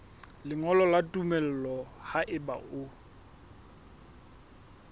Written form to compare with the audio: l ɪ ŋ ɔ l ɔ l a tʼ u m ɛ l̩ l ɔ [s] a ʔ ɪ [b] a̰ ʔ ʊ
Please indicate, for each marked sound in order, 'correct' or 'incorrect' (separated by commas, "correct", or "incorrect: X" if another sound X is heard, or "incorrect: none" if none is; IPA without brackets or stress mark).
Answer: incorrect: h, correct